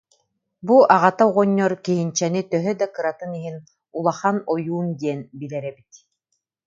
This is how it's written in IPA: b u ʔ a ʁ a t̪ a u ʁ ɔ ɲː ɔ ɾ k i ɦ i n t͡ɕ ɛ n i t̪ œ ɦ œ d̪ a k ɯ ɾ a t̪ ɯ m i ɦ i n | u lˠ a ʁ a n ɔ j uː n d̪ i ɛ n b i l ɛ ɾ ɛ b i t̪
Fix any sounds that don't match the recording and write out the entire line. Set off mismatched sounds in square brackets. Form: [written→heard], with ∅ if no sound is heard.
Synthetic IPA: b u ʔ a ʁ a t̪ a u ʁ ɔ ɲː ɔ ɾ k i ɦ i n t͡ɕ ɛ n i t̪ œ ɦ œ d̪ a k ɯ ɾ a t̪ ɯ [m→n] i ɦ i n | u lˠ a [ʁ→χ] a n ɔ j uː n d̪ i ɛ n b i l ɛ ɾ ɛ b i t̪